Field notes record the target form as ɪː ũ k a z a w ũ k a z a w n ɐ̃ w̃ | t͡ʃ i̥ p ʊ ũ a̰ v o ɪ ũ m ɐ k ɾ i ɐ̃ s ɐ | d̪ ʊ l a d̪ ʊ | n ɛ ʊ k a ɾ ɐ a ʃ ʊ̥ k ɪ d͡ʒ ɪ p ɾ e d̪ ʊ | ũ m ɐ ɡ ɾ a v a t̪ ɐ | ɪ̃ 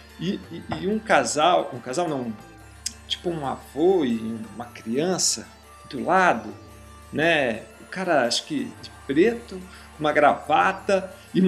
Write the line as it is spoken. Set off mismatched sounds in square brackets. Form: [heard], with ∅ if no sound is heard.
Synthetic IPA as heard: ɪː ũ k a z a w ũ k a z a w n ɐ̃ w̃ | t͡ʃ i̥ p ʊ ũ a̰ v o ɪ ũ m ɐ k ɾ i ɐ̃ s ɐ | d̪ ʊ l a d̪ ʊ | n ɛ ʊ k a ɾ ɐ a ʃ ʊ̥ k ɪ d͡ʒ ɪ p ɾ e [t̪] ʊ | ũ m ɐ ɡ ɾ a v a t̪ ɐ | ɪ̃